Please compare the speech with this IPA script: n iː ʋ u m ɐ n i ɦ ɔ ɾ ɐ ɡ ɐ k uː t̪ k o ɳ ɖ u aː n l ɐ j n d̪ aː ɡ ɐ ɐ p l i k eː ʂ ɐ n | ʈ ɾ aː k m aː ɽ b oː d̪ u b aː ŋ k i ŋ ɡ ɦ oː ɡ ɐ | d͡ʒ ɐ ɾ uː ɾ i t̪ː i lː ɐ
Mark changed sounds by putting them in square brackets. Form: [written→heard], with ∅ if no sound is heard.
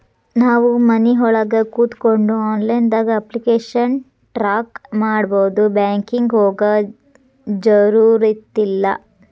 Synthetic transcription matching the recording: n [iː→aː] ʋ u m ɐ n i ɦ ɔ [ɾ→ɭ] ɐ ɡ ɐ k uː t̪ k o ɳ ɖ u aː n l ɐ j n d̪ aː ɡ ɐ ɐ p l i k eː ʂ ɐ n | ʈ ɾ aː k m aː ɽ b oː d̪ u b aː ŋ k i ŋ ɡ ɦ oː ɡ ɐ | d͡ʒ ɐ ɾ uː ɾ i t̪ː i lː ɐ

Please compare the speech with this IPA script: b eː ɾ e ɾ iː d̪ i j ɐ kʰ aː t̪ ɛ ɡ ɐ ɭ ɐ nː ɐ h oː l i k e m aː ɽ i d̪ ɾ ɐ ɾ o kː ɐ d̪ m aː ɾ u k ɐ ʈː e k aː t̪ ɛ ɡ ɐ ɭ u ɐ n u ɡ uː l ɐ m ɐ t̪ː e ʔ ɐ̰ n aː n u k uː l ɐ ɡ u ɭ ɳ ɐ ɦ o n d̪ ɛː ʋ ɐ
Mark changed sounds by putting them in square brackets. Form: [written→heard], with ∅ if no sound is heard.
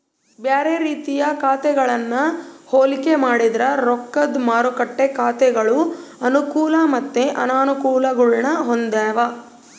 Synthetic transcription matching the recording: b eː ɾ e ɾ iː [d̪→t̪] i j ɐ [kʰ→k] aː t̪ ɛ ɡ ɐ ɭ ɐ nː ɐ h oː l i k e m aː ɽ i d̪ ɾ ɐ ɾ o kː ɐ d̪ m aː ɾ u k ɐ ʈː e k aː t̪ ɛ ɡ ɐ ɭ u ɐ n u [ɡ→k] uː l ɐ m ɐ t̪ː e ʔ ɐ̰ n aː n u k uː l ɐ ɡ u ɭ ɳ ɐ ɦ o n d̪ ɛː ʋ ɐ

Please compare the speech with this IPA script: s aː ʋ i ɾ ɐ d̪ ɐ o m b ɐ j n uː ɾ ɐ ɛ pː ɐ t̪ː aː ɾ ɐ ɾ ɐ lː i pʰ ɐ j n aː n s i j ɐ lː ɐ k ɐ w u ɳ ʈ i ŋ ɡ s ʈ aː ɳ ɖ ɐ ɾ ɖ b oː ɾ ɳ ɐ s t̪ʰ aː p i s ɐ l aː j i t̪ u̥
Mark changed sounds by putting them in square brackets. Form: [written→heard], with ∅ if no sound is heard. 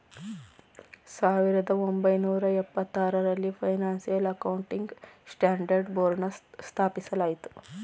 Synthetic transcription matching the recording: s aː ʋ i ɾ ɐ d̪ ɐ o m b ɐ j n uː ɾ ɐ ɛ pː ɐ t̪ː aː ɾ ɐ ɾ ɐ lː i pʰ ɐ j n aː n s i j ɐ [lː→l] ɐ k ɐ w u ɳ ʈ i ŋ ɡ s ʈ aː ɳ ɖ ɐ ɾ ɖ b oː ɾ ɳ ɐ s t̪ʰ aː p i s ɐ l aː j i t̪ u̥

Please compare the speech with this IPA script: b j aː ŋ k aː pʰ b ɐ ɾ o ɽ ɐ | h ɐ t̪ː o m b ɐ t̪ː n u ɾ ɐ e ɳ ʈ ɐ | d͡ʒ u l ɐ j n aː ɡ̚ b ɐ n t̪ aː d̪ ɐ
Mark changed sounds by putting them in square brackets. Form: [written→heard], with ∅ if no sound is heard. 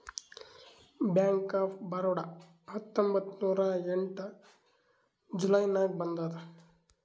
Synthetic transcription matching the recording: b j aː ŋ k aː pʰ b ɐ ɾ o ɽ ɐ | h ɐ t̪ː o m b ɐ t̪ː n [u→uː] ɾ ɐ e ɳ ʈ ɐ | d͡ʒ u l ɐ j n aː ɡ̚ b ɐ n [t̪→d̪] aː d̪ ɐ

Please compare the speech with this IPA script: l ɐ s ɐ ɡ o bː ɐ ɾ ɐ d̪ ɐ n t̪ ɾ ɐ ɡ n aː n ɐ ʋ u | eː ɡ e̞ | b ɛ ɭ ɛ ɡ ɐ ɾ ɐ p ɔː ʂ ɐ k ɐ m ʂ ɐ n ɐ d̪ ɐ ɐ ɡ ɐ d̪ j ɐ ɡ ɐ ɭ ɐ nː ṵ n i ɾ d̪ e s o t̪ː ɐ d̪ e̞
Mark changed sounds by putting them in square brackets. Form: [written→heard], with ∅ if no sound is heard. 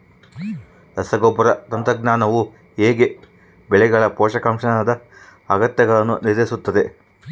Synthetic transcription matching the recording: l ɐ s ɐ ɡ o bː ɐ ɾ ɐ [d̪→t̪] ɐ n t̪ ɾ ɐ ɡ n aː n ɐ ʋ u | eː ɡ e̞ | b ɛ ɭ ɛ ɡ ɐ [ɾ→ɭ] ɐ p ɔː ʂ ɐ k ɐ m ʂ ɐ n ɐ d̪ ɐ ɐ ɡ ɐ [d̪→t̪] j ɐ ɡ ɐ ɭ ɐ nː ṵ n i ɾ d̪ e s [o→u] t̪ː ɐ d̪ e̞

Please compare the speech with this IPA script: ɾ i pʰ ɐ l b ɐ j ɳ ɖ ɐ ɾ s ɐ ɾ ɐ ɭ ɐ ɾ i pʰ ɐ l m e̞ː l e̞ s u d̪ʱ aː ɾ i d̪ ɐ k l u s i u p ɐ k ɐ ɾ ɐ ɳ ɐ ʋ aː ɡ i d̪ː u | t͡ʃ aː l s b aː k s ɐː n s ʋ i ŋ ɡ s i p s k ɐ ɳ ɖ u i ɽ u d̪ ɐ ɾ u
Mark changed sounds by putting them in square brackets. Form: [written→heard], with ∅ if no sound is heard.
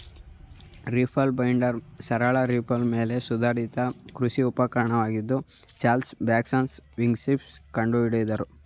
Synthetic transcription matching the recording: ɾ i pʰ ɐ l b ɐ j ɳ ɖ ɐ ɾ s ɐ ɾ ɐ ɭ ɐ ɾ i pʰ ɐ l m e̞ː l e̞ s u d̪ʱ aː ɾ i [d̪→t̪] ɐ k [l→ɾ] u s i u p ɐ k ɐ ɾ ɐ ɳ ɐ ʋ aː ɡ i d̪ː u | t͡ʃ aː l s b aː k s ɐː n s ʋ i ŋ ɡ s i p s k ɐ ɳ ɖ u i ɽ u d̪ ɐ ɾ u

